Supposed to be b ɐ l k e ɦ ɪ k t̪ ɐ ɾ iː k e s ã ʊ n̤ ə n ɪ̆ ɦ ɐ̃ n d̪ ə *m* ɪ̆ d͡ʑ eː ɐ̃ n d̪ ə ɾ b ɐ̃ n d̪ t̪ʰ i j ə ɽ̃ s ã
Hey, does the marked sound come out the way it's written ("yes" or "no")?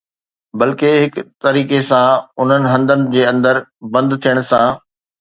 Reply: no